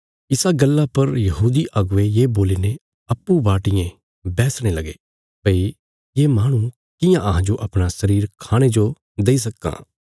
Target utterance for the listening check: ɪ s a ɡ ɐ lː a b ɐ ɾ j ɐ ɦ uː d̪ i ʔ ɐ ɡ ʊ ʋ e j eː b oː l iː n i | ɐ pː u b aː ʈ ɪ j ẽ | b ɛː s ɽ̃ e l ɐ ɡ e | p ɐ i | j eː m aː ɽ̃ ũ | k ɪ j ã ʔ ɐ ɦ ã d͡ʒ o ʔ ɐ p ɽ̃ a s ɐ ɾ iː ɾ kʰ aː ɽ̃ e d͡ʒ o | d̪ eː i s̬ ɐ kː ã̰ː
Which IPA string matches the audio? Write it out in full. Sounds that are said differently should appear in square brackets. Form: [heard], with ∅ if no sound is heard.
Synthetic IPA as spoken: ɪ s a ɡ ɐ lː a [p] ɐ ɾ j ɐ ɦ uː d̪ i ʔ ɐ ɡ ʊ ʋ e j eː b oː l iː n [e] | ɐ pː u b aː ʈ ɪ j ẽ | b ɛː s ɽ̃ e l ɐ ɡ e | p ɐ i | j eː m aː ɽ̃ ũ | k ɪ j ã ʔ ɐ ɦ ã d͡ʒ o ʔ ɐ p ɽ̃ a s ɐ ɾ iː ɾ kʰ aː ɽ̃ e d͡ʒ o | d̪ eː i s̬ ɐ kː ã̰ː